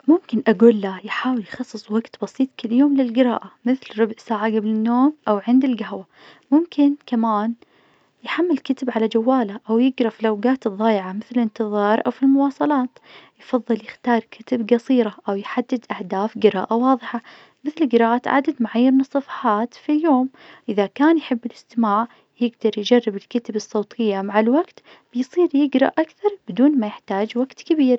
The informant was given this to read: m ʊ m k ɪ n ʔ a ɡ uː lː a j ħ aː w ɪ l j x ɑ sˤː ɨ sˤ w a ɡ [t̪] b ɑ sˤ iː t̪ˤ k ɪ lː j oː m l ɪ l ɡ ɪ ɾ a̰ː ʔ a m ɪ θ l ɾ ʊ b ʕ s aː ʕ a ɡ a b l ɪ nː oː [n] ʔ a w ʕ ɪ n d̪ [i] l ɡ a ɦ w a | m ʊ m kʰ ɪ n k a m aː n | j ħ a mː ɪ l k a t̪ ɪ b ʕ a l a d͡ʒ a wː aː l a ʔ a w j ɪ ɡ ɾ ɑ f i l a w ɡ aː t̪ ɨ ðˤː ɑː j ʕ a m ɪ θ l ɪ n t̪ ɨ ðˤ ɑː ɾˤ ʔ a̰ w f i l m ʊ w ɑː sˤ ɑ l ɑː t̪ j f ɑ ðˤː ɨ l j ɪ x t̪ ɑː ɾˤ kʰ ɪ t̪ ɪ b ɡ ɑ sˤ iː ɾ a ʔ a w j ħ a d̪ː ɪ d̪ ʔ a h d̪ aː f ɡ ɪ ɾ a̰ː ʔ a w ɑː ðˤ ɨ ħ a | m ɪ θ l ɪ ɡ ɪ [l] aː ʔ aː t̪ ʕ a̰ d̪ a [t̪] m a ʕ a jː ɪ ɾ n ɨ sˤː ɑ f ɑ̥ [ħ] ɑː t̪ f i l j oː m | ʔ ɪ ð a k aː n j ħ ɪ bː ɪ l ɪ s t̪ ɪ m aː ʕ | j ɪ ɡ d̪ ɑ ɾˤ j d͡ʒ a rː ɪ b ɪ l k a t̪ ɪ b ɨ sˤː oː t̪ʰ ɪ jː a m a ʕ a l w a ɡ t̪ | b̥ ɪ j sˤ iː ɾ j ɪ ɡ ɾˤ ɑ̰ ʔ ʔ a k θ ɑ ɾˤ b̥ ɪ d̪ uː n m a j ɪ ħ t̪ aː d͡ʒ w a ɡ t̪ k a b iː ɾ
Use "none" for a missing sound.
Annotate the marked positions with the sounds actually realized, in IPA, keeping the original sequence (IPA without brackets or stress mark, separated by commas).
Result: t̪, m, ɪ, ɾ, d̪, ħ